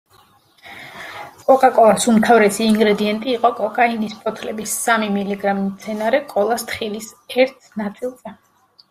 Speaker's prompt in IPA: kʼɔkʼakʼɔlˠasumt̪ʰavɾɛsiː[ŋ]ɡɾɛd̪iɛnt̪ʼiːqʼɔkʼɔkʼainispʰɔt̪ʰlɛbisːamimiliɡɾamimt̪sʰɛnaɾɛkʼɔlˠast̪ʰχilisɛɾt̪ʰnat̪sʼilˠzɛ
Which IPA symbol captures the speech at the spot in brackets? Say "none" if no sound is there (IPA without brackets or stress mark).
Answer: ŋ